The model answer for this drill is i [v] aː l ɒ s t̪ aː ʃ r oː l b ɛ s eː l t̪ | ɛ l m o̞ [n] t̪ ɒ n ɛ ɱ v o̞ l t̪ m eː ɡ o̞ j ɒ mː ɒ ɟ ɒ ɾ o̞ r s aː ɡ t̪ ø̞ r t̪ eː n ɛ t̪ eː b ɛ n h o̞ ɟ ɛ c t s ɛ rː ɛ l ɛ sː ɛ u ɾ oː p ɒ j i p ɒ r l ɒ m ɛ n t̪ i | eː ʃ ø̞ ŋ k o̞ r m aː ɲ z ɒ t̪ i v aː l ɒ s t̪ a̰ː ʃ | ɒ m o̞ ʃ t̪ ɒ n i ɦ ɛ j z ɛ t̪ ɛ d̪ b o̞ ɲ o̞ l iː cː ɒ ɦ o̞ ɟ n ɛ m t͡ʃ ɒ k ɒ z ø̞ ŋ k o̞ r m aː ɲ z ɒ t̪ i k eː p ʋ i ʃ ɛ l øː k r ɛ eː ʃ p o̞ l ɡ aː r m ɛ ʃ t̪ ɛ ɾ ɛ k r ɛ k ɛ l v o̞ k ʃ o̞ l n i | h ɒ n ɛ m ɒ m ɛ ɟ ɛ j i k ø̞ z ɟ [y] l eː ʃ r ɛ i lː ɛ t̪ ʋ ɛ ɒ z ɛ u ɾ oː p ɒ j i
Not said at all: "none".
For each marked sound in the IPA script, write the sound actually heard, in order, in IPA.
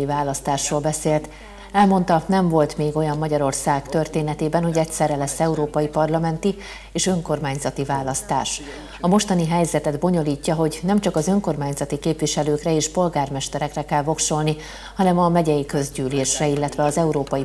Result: v, n, yː

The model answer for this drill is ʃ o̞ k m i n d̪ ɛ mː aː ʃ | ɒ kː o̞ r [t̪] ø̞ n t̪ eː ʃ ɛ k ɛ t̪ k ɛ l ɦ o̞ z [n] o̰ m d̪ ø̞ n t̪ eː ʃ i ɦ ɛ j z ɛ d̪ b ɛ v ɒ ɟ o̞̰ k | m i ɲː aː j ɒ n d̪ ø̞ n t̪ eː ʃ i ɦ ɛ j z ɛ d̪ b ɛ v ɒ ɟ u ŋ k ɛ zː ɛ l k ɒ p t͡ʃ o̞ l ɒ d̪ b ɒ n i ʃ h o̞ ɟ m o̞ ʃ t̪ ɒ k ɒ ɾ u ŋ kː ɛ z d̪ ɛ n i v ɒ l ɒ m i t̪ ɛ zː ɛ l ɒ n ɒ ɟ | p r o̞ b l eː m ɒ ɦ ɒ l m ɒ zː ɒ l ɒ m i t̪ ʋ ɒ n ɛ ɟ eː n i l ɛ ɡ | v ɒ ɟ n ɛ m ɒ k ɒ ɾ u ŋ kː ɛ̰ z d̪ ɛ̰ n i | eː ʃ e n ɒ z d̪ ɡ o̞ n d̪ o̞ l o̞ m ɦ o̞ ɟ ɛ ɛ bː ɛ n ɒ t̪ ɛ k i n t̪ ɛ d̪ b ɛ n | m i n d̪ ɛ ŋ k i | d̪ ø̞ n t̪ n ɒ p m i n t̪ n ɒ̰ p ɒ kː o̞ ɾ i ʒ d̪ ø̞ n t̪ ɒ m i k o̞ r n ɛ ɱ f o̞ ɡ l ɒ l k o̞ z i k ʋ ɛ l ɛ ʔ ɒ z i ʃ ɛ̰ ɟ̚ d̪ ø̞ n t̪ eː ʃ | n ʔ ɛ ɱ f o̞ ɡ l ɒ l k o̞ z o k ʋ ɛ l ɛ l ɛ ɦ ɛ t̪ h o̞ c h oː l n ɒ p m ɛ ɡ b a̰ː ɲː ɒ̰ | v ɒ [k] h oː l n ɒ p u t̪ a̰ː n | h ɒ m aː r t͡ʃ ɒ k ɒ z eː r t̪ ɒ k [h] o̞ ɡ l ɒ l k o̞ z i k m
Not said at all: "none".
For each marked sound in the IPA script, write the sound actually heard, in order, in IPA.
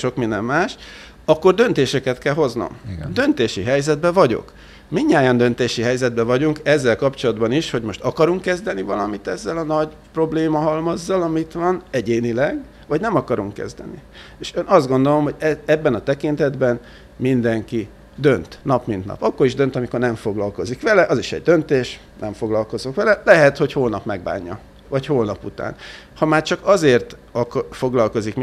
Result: d̪, n, c, f

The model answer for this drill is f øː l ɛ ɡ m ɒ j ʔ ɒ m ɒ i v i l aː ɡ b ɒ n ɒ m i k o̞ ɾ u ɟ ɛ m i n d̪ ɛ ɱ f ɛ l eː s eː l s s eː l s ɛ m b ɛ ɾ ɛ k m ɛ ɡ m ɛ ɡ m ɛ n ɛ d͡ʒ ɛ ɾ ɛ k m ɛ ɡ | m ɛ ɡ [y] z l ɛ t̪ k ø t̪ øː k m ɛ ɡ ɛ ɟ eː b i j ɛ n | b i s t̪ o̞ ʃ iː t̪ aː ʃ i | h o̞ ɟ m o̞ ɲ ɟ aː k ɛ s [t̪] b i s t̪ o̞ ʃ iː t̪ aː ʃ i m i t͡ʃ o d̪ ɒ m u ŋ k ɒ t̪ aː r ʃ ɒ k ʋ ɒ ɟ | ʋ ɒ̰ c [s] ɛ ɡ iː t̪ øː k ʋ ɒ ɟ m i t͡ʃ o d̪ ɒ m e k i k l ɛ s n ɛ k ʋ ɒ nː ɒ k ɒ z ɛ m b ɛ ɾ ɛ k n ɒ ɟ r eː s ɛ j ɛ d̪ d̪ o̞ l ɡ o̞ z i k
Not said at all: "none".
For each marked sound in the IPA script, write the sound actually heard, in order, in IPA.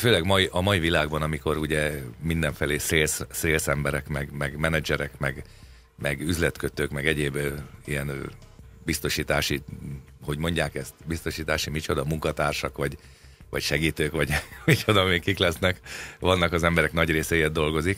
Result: y, t̪, ʃ

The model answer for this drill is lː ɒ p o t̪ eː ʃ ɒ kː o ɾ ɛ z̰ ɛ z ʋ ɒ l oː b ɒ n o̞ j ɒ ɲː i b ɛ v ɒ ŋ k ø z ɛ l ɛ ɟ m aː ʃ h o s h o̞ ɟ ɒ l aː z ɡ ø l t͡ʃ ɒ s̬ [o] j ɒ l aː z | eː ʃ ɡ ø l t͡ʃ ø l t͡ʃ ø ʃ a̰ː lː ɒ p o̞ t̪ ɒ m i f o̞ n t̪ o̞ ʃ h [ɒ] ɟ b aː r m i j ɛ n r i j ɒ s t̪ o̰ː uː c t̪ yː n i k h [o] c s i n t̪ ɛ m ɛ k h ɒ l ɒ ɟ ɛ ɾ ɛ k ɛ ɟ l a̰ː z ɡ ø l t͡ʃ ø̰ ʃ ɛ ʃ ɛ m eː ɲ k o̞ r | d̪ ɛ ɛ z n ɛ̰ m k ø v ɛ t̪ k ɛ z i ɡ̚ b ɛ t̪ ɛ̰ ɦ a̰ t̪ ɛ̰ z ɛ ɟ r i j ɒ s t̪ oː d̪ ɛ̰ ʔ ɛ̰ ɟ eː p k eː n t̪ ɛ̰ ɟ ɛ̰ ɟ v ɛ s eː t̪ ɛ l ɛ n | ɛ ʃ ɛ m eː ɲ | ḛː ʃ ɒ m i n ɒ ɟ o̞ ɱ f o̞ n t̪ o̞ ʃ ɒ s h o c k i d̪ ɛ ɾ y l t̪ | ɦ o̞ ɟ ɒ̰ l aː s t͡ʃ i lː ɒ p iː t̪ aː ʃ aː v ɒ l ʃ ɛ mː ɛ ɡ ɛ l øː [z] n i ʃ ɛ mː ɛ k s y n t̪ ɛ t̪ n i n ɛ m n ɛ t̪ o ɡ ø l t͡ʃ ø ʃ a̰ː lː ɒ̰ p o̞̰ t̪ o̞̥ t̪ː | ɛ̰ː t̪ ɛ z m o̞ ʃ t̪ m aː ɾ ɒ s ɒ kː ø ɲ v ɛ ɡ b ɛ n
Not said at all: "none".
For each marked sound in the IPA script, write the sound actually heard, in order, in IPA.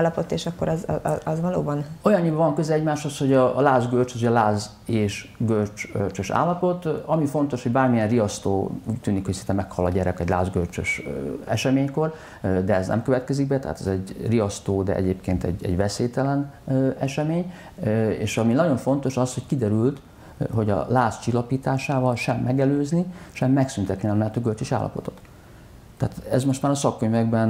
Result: o, o, o, z

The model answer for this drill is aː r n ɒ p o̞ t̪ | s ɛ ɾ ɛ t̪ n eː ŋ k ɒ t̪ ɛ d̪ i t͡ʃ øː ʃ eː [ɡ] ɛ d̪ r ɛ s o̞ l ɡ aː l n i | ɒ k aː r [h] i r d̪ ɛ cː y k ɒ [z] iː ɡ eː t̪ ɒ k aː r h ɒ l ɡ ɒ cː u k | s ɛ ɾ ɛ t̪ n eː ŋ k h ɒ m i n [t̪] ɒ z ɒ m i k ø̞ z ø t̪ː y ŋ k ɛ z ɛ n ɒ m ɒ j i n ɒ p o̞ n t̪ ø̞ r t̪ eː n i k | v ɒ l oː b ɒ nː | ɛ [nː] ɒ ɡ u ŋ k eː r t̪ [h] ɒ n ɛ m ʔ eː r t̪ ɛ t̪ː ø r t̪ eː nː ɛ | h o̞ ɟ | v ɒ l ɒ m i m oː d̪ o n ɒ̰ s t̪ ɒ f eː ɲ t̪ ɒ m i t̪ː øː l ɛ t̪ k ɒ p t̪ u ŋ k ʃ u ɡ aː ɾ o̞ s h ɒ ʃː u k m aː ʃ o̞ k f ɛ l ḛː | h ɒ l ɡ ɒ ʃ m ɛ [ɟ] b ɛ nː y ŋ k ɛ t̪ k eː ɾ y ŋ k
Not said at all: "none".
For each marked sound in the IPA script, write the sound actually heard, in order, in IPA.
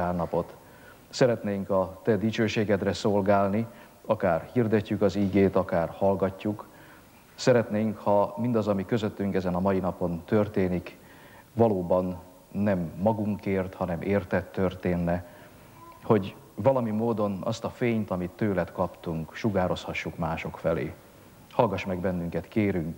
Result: ɡ, h, z, d̪, mː, h, ɡ

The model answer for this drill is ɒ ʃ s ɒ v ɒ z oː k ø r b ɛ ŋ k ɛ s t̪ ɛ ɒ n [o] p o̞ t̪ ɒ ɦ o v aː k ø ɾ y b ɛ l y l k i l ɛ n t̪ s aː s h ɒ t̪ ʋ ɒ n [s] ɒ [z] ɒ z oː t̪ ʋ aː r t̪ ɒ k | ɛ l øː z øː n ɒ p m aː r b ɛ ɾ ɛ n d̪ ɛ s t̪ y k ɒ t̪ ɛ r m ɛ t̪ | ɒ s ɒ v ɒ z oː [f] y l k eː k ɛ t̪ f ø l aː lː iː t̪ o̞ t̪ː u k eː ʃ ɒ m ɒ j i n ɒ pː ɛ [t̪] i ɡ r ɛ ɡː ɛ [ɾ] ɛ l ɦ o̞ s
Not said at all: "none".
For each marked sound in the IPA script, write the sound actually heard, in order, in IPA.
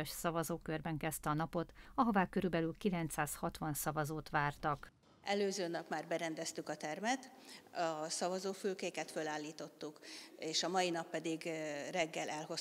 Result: ɒ, s, v, f, d̪, l

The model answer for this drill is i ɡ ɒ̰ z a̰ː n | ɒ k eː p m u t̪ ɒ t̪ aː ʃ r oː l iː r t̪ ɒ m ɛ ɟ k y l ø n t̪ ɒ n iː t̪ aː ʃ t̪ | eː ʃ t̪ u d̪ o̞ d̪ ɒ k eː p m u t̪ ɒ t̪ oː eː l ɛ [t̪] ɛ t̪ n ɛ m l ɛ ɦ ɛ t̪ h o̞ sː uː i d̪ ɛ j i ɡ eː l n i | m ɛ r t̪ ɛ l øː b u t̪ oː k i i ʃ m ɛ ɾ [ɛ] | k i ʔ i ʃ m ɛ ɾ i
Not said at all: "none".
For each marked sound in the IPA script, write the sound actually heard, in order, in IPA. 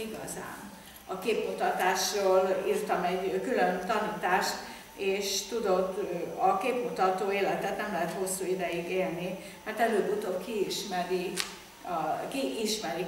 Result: t̪, i

